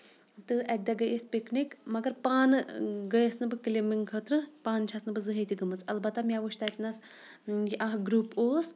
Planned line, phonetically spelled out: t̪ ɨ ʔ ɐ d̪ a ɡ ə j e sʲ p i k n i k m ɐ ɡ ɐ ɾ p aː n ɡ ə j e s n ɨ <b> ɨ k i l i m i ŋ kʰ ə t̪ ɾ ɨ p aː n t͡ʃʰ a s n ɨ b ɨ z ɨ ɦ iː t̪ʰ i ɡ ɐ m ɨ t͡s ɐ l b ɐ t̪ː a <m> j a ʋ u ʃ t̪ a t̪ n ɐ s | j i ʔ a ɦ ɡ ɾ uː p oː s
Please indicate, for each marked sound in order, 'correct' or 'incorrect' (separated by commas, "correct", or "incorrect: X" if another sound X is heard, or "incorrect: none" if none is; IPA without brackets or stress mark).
correct, correct